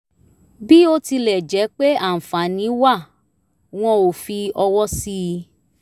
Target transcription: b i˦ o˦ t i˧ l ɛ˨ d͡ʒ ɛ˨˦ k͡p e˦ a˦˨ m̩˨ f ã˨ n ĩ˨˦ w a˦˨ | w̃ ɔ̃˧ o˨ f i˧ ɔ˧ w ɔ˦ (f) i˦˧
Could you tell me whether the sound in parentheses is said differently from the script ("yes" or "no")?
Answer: yes